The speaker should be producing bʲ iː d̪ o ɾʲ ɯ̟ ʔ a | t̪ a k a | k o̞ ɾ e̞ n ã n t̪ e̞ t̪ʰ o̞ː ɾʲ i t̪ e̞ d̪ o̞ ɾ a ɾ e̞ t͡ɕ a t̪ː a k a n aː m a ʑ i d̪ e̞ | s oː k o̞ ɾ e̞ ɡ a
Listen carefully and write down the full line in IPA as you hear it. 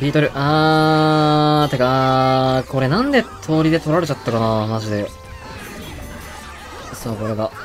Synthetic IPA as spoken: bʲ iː t̪ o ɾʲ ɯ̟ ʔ a | t̪ e k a | k o̞ ɾ e̞ n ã n d̪ e̞ t̪ʰ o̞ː ɾʲ i d̪ e̞ t̪ o̞ ɾ a ɾ e̞ t͡ɕ a t̪ː a k a n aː m a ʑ i d̪ e̞ | s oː k o̞ ɾ e̞ ɡ a

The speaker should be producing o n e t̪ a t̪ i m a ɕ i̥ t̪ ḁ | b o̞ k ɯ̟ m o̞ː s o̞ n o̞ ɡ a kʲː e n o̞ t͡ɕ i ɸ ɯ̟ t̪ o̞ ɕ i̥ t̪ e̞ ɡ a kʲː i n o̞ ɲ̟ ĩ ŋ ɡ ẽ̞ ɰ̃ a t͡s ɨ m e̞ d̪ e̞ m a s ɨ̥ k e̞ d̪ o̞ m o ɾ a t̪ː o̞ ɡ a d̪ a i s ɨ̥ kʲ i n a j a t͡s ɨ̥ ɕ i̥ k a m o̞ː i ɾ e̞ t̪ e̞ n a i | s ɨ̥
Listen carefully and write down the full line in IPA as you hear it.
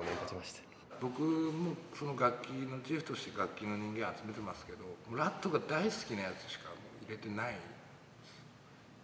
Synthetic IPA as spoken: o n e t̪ a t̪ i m a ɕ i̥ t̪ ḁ | b o̞ k ɯ̟ m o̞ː s o̞ n o̞ ɡ a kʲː i n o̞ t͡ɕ i ɸ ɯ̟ t̪ o̞ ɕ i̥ t̪ e̞ ɡ a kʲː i n o̞ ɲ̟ ĩ ŋ ɡ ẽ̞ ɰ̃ a t͡s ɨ m e̞ t̪ e̞ m a s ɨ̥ k e̞ d̪ o̞ m o ɾ a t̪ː o̞ ɡ a d̪ a i s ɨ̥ kʲ i n a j a t͡s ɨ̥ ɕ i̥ k a m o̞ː i ɾ e̞ t̪ e̞ n a i | s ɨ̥

